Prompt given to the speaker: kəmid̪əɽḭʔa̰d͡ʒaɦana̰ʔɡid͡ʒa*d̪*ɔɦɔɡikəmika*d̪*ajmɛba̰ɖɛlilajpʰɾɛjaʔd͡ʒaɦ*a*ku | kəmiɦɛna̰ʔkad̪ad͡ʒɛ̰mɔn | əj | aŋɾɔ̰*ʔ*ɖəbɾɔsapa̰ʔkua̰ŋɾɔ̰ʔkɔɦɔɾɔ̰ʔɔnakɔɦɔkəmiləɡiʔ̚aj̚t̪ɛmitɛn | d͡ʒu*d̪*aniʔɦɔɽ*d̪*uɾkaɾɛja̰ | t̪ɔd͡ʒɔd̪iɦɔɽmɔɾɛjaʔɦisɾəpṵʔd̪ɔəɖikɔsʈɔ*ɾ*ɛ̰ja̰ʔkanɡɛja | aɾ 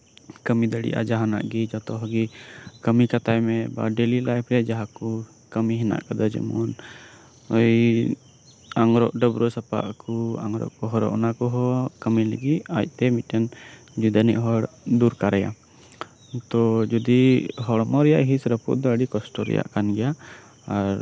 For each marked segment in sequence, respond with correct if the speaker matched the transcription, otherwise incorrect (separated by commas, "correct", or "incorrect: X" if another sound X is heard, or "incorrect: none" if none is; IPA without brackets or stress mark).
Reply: incorrect: t̪, incorrect: t̪, correct, correct, correct, correct, correct